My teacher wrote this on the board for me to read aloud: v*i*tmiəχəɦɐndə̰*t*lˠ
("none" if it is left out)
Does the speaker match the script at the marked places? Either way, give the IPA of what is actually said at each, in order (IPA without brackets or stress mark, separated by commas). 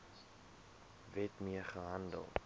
ɛ, none